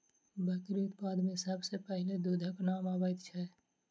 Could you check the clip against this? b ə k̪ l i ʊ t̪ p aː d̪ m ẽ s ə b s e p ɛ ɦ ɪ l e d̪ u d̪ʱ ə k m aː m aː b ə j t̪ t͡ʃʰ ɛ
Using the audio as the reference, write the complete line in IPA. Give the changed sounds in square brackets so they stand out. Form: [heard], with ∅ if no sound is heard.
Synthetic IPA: b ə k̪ [ɾ] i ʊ t̪ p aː d̪ m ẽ s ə b s e p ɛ ɦ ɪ l e d̪ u d̪ʱ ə k [n] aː m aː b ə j t̪ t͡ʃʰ ɛ